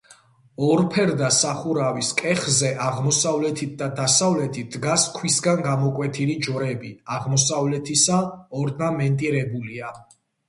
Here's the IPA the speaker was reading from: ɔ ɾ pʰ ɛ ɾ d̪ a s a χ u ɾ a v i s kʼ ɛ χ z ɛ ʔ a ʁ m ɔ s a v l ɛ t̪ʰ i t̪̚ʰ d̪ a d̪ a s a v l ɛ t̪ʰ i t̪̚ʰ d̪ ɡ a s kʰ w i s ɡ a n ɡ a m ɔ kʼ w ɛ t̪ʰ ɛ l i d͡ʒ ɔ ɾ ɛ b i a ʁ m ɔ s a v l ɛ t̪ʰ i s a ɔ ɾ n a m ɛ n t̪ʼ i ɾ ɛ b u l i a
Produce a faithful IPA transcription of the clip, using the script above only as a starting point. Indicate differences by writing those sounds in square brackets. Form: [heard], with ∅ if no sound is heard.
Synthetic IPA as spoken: ɔ ɾ pʰ ɛ ɾ d̪ a s a χ u ɾ a v i s kʼ ɛ χ z ɛ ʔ a ʁ m ɔ s a v l ɛ t̪ʰ i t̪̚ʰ d̪ a d̪ a s a v l ɛ t̪ʰ i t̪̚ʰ d̪ ɡ a s kʰ w i s ɡ a n ɡ a m ɔ kʼ w ɛ t̪ʰ [i] l i d͡ʒ ɔ ɾ ɛ b i a ʁ m ɔ s a v l ɛ t̪ʰ i s a ɔ ɾ n a m ɛ n t̪ʼ i ɾ ɛ b u l i a